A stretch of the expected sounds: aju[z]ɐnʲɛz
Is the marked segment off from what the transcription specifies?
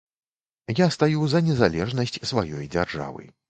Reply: no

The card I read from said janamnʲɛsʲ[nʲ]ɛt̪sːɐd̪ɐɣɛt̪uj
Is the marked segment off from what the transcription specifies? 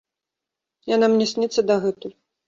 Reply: no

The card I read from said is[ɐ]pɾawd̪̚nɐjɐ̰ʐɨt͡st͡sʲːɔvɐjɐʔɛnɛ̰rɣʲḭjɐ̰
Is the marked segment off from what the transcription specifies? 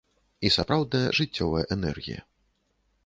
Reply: yes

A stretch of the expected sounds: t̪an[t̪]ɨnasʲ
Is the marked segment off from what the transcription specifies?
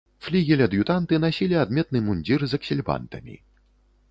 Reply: no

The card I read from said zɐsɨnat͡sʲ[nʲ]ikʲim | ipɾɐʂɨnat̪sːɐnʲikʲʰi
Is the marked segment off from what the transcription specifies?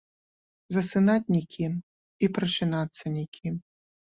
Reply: no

